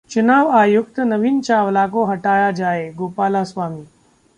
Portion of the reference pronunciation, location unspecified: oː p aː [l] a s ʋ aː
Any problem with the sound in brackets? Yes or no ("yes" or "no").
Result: no